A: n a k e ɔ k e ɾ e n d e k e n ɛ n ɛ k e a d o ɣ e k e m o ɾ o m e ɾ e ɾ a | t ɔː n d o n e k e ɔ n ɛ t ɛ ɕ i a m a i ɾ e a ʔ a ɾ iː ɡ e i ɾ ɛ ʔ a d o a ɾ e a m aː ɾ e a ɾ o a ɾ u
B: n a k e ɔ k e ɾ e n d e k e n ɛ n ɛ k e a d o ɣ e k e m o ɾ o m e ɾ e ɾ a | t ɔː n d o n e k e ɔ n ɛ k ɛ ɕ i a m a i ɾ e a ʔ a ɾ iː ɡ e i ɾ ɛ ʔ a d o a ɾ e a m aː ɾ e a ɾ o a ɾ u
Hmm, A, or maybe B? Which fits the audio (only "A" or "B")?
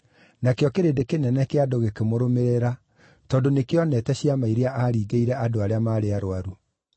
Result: A